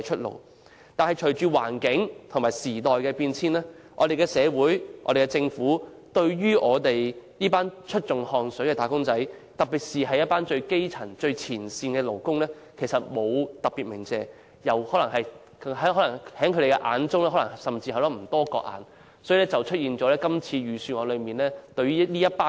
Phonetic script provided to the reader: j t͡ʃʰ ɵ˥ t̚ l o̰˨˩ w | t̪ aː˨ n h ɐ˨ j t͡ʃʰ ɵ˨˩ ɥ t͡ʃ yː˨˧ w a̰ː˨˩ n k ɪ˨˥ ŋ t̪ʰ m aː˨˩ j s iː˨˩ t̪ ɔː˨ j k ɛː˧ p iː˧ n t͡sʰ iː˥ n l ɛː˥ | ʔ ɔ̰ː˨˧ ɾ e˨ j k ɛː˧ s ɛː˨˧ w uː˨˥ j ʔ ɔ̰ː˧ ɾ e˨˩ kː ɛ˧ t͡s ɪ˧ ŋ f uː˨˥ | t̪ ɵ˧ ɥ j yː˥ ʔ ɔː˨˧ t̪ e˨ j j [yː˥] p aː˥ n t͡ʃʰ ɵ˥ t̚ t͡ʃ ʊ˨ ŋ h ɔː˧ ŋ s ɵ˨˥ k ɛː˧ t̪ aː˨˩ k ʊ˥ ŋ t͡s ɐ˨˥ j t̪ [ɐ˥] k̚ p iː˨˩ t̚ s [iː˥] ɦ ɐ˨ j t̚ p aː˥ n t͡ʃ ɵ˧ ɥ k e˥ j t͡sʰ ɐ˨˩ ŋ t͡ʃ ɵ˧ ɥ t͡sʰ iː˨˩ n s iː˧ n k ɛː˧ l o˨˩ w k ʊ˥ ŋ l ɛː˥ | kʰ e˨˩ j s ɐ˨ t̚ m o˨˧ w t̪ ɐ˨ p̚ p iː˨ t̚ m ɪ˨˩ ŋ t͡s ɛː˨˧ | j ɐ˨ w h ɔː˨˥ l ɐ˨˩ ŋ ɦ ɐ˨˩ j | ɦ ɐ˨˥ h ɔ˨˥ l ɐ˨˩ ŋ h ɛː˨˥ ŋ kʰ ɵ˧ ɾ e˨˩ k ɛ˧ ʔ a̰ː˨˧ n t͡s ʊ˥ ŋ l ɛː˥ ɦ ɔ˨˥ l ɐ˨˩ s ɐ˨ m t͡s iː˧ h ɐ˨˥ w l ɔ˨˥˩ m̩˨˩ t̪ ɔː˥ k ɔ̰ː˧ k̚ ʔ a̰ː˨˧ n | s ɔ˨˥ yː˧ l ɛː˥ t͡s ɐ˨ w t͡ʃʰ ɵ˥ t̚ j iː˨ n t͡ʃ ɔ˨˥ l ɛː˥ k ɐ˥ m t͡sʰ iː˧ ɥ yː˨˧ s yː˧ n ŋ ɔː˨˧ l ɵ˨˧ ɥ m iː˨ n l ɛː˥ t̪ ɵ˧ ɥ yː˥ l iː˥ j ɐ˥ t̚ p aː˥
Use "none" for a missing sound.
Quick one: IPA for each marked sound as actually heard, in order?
iː˥, ɐ˨, iː˨

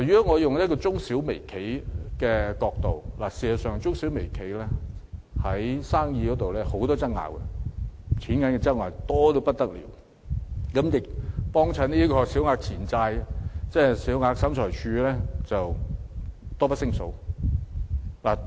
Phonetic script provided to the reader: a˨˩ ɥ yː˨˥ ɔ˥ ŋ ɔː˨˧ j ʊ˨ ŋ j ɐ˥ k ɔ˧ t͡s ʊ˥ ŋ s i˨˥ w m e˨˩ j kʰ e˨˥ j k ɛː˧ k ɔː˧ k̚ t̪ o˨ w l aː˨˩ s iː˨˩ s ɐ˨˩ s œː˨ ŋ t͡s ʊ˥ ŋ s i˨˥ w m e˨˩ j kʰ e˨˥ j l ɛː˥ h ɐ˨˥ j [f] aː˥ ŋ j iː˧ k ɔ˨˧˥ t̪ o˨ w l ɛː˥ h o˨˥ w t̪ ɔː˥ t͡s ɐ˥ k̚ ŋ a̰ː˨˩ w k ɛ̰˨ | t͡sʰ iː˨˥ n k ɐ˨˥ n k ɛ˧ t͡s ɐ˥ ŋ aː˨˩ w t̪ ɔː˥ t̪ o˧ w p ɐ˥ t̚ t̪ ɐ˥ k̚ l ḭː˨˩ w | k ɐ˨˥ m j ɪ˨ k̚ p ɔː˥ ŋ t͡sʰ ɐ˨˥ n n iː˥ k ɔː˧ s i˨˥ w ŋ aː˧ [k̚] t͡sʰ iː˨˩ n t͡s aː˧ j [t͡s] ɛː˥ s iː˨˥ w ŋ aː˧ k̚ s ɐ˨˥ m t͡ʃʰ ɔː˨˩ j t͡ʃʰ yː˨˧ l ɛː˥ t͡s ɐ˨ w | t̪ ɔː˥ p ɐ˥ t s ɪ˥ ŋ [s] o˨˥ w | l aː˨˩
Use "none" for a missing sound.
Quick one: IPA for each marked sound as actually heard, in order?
s, k̚, t͡s, s

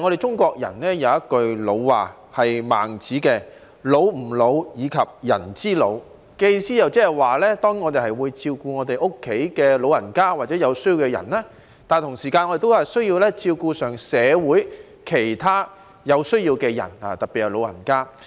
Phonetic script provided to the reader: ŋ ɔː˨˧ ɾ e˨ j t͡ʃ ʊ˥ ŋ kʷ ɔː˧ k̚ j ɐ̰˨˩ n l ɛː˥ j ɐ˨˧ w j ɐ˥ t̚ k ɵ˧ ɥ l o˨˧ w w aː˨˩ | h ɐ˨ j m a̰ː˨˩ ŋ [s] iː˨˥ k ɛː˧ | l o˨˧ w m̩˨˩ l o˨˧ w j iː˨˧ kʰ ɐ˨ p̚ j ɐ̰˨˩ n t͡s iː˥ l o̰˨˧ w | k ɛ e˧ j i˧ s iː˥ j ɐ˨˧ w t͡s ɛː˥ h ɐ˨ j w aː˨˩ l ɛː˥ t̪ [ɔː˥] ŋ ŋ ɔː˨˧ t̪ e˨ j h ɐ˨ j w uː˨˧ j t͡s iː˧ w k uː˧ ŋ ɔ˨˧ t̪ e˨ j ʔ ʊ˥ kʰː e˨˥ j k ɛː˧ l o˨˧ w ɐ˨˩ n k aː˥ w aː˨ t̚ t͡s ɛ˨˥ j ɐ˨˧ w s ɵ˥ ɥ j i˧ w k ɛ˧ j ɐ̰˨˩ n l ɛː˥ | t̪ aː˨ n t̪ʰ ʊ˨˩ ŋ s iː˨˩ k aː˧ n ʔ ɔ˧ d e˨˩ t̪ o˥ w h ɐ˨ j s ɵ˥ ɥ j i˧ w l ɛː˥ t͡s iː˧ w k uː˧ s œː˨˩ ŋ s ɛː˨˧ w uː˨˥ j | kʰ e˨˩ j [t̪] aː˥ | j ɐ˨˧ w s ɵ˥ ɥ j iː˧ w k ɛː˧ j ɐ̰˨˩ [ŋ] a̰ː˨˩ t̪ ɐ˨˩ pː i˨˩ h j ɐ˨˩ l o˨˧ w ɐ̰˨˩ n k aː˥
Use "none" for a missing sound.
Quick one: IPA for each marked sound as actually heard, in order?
t͡s, ɔː˥, t̪ʰ, n

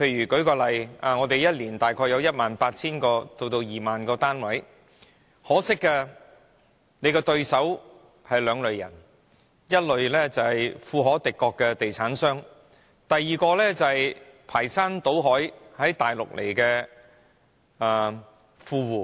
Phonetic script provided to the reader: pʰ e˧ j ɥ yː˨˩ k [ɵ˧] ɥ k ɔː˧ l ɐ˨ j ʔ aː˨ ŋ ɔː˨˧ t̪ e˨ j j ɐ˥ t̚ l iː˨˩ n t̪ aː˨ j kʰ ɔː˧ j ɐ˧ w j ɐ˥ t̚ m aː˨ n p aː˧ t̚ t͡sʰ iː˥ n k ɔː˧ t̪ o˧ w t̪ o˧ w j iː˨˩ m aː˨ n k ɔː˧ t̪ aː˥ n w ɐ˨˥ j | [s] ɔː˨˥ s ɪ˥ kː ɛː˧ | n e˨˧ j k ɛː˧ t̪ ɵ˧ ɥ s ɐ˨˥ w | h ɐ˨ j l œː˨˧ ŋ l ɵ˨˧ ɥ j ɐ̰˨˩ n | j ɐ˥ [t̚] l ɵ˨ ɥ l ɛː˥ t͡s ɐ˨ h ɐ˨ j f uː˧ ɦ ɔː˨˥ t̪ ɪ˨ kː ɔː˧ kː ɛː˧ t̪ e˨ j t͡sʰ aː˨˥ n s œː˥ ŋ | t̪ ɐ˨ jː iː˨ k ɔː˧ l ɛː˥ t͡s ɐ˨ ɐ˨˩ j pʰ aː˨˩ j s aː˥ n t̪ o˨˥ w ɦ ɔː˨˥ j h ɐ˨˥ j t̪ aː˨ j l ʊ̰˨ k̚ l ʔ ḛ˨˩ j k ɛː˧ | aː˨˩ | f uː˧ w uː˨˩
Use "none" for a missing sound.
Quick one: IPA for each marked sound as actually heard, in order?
ɵ˨˥, h, t̚

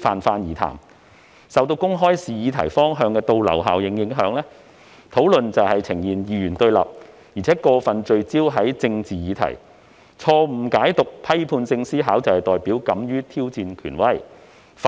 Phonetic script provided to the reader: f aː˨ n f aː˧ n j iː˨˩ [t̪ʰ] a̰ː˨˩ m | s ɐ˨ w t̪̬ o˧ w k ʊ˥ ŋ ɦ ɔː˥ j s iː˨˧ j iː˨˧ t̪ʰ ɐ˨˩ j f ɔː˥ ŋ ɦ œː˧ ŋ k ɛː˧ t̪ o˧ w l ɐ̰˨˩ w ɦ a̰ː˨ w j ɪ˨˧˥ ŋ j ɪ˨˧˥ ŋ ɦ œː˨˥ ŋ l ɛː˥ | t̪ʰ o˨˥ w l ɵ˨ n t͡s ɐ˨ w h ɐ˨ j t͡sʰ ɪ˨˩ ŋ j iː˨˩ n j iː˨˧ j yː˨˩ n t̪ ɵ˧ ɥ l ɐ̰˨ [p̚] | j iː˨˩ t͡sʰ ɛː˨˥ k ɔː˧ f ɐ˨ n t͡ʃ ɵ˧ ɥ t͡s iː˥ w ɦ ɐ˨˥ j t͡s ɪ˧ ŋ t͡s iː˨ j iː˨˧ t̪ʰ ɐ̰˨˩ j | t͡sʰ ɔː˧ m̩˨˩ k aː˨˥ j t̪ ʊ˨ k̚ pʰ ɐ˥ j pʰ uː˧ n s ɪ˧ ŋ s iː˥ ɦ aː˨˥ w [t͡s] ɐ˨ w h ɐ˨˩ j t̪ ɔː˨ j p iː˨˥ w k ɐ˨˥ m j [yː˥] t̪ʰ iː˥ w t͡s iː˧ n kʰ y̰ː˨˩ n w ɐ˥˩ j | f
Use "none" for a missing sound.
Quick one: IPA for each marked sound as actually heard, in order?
t̪ʰ, p̚, t͡s, yː˥

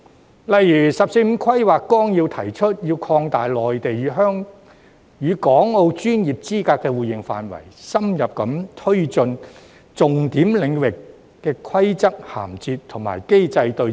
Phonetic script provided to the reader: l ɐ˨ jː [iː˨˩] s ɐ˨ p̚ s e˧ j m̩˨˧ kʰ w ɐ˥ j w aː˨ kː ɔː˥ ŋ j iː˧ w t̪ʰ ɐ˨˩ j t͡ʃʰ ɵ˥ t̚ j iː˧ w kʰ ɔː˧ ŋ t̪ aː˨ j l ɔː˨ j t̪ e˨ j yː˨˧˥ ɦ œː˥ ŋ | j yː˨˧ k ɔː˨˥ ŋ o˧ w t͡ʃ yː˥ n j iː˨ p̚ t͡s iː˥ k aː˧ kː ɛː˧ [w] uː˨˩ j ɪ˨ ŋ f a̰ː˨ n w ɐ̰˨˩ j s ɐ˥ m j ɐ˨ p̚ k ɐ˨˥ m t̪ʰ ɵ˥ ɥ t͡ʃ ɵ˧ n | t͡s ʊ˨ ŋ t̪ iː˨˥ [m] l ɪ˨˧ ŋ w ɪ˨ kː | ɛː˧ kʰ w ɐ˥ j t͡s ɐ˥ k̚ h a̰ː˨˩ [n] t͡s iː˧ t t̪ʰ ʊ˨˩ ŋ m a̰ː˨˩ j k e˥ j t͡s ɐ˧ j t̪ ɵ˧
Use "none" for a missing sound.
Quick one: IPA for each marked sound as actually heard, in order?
yː˨˩, w, m, m

